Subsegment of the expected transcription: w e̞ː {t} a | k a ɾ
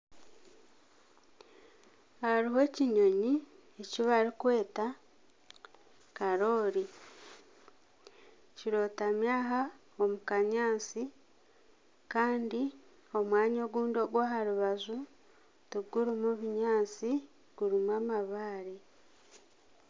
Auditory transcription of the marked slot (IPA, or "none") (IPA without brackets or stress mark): t